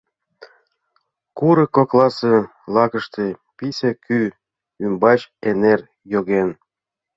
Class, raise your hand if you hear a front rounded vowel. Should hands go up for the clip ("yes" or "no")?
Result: yes